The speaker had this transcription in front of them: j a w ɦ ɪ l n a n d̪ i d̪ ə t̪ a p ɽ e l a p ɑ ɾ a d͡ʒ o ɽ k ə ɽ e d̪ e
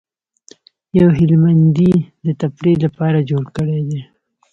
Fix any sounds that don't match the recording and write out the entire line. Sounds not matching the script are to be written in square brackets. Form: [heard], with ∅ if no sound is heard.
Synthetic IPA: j a w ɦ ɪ l [m] a n d̪ i d̪ ə t̪ a p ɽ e l a p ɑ ɾ a d͡ʒ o ɽ k ə ɽ e d̪ e